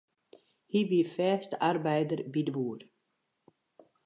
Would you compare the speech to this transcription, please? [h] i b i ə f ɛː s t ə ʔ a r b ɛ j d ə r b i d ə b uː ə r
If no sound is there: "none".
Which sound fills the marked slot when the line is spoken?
h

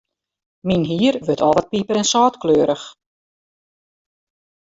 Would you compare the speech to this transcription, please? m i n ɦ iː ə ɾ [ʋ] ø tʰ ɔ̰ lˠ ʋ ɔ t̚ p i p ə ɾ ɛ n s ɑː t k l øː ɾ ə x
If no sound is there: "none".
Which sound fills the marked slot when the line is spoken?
ʋ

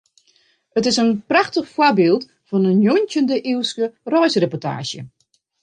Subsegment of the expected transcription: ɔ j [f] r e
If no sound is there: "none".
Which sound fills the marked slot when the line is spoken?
s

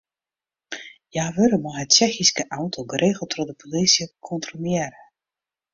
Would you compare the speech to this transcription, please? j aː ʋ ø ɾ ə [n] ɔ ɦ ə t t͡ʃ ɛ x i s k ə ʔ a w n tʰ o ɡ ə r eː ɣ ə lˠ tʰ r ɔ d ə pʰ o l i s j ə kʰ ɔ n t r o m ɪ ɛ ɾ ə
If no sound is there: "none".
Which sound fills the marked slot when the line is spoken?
m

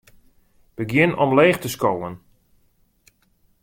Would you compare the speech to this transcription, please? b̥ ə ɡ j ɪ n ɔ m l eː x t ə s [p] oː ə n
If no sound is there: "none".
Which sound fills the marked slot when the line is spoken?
k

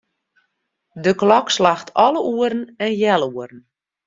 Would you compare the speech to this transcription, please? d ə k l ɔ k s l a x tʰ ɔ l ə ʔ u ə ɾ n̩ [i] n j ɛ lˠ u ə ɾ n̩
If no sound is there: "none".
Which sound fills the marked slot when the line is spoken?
ɛ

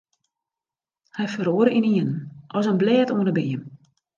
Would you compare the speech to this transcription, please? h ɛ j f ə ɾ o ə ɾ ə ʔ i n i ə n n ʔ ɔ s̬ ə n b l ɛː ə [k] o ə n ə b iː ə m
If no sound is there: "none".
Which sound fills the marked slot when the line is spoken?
t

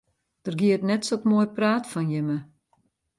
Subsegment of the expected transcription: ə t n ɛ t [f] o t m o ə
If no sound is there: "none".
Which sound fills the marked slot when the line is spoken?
s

